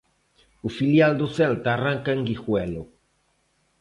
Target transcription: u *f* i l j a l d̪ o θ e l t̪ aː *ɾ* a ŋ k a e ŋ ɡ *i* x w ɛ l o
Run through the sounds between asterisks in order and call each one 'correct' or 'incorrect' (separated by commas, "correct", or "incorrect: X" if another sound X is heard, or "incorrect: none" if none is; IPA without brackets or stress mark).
correct, incorrect: r, correct